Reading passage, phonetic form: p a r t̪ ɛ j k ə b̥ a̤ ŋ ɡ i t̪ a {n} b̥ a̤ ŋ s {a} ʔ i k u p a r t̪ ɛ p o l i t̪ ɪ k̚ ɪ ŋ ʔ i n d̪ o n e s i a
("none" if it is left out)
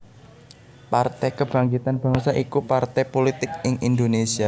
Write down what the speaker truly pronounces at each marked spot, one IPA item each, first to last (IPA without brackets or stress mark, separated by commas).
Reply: n, a